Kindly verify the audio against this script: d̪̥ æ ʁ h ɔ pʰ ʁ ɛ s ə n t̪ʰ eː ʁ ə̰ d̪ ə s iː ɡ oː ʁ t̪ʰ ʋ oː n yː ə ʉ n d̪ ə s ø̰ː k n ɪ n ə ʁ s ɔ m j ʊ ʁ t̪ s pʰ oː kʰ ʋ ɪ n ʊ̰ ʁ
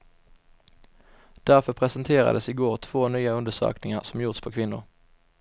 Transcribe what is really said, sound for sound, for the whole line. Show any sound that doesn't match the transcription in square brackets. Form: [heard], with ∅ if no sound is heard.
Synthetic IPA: d̪̥ æ ʁ [f] ɔ pʰ ʁ ɛ s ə n t̪ʰ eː ʁ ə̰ d̪ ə s iː ɡ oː ʁ t̪ʰ ʋ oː n yː ə ʉ n d̪ ə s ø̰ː k n ɪ [ŋ] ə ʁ s ɔ m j ʊ ʁ t̪ s pʰ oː kʰ ʋ ɪ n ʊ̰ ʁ